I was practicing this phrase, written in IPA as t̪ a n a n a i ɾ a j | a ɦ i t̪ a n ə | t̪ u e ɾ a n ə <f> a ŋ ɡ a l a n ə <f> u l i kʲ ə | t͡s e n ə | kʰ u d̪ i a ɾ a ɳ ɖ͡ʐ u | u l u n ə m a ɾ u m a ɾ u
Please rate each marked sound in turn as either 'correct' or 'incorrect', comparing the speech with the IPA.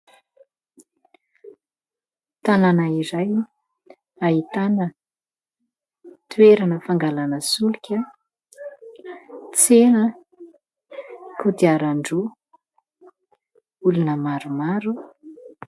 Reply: correct, incorrect: s

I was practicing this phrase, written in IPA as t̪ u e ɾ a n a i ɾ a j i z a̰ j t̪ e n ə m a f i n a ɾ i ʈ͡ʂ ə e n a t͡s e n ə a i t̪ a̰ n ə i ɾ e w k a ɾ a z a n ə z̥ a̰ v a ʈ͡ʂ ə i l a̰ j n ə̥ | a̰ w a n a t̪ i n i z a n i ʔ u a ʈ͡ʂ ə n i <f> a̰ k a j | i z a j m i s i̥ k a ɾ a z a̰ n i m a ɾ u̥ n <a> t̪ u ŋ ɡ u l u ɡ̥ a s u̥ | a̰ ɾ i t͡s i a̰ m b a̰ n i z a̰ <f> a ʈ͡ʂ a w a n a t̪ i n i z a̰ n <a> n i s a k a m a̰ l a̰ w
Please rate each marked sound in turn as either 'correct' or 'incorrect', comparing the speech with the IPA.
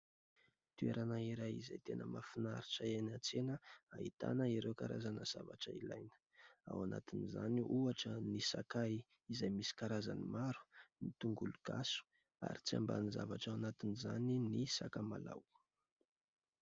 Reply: incorrect: s, incorrect: i, incorrect: v, incorrect: i

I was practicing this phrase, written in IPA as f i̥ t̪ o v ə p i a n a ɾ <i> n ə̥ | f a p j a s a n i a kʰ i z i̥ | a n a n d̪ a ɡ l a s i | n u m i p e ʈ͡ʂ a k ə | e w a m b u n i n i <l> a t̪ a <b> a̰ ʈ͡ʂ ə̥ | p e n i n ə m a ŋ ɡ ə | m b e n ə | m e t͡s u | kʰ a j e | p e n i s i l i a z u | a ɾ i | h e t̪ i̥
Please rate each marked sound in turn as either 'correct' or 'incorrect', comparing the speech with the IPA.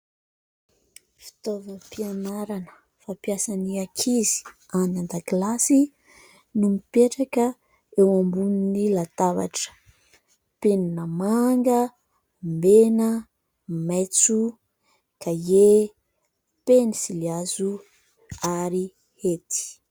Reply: incorrect: a, correct, incorrect: v

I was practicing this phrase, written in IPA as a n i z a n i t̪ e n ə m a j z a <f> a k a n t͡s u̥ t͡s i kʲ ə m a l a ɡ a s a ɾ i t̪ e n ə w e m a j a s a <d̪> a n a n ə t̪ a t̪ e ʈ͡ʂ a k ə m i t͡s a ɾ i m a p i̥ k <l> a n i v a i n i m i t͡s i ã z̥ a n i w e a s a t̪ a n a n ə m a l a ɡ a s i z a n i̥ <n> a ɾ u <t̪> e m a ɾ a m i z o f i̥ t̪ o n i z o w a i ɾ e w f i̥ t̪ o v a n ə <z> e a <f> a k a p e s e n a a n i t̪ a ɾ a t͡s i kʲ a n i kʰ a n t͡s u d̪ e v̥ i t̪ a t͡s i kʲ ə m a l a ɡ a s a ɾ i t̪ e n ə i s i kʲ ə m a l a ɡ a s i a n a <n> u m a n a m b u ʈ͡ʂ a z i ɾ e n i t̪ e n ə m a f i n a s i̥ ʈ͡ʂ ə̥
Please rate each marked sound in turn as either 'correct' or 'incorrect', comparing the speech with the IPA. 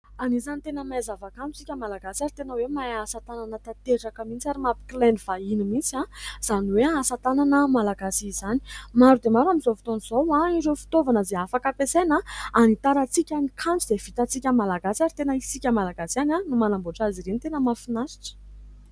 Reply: incorrect: v, incorrect: t̪, correct, incorrect: m, incorrect: d̪, correct, correct, correct

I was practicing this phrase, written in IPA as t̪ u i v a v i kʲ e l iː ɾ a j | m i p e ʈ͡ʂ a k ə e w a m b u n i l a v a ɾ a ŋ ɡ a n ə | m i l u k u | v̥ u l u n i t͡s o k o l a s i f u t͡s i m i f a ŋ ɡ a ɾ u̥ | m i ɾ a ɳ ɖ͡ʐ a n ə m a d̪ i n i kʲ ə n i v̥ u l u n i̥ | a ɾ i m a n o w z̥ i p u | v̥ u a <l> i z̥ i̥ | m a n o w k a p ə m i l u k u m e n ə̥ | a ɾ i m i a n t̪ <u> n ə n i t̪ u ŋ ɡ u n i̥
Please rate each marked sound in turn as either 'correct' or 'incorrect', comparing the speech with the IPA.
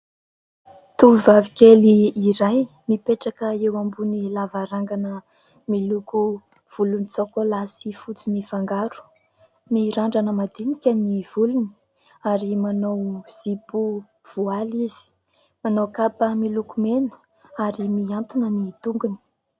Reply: correct, correct

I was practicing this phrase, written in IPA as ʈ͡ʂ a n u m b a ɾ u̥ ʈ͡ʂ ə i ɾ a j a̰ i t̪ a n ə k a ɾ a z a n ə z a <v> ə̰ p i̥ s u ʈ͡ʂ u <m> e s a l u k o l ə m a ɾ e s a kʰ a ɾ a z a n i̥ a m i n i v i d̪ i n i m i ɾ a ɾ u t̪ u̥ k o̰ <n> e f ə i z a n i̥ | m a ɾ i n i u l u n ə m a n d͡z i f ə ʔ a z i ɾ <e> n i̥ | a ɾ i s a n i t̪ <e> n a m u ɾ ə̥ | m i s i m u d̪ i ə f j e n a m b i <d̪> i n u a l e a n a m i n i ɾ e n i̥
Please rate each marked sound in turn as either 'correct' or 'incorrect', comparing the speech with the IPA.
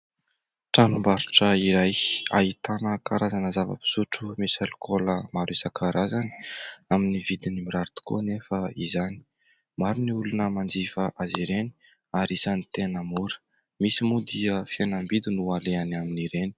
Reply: correct, correct, correct, correct, correct, correct

